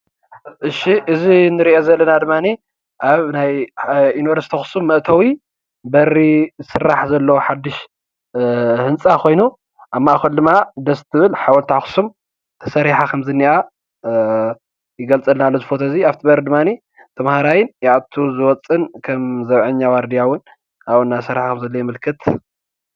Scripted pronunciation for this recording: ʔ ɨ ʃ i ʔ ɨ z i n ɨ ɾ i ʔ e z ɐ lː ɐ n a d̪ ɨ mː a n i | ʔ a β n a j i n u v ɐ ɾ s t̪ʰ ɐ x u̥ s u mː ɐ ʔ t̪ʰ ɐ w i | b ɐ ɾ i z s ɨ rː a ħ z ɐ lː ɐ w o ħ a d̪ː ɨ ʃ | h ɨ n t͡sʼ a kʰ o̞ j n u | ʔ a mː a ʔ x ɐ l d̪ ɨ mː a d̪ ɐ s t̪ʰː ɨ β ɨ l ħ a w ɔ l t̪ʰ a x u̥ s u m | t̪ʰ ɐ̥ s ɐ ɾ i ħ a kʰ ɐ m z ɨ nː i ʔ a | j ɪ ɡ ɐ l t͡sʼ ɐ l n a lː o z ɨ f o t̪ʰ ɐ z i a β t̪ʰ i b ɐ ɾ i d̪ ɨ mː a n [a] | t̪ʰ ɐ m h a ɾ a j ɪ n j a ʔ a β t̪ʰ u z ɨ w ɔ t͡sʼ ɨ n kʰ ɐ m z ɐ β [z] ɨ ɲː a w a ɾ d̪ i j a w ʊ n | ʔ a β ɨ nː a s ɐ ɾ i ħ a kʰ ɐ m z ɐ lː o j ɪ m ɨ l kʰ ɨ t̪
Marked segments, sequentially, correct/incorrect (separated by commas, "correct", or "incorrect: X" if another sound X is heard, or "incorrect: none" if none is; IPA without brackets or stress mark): incorrect: i, incorrect: ʕ